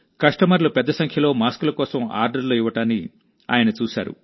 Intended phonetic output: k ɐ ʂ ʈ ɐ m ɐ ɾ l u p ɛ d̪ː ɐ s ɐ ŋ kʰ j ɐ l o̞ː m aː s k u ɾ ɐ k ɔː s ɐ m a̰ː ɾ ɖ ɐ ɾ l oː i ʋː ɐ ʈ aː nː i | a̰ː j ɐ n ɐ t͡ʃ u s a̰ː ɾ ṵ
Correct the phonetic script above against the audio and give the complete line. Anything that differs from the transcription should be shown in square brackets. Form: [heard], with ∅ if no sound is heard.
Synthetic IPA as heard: k ɐ ʂ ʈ ɐ m ɐ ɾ l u p ɛ d̪ː ɐ s ɐ ŋ kʰ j ɐ l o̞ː m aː s k u [l] ɐ k ɔː s ɐ m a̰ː ɾ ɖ ɐ ɾ l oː i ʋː ɐ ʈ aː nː i | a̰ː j ɐ n ɐ t͡ʃ [uː] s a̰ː ɾ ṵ